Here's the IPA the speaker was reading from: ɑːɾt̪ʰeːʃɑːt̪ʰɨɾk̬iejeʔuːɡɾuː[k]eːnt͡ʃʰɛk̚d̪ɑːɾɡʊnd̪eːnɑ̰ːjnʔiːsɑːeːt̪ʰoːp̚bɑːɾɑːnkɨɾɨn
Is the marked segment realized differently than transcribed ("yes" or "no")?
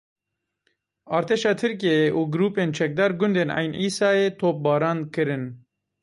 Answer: yes